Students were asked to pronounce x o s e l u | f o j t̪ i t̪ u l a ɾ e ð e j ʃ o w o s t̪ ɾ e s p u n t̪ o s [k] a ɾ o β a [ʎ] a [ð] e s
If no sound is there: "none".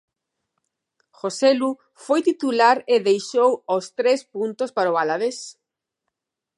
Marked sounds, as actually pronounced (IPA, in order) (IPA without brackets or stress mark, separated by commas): p, l, ð